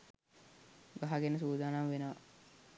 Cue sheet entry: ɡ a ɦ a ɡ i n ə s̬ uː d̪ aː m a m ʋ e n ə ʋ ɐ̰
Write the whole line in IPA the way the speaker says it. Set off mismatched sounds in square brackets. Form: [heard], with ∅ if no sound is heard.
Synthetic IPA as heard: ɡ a ɦ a ɡ [e] n ə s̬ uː d̪ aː [n] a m ʋ e n ə ʋ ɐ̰